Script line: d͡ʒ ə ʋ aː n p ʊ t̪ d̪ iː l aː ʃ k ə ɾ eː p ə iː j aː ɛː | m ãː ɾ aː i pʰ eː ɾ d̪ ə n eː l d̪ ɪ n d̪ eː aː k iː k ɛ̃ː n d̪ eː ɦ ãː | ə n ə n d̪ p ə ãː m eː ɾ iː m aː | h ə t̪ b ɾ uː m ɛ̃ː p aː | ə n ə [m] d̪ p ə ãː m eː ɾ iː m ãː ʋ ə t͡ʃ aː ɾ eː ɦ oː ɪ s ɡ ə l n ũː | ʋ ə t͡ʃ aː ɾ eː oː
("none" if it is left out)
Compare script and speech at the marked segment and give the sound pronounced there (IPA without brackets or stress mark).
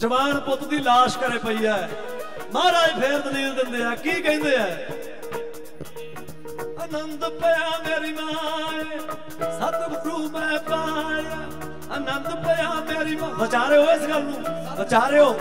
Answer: n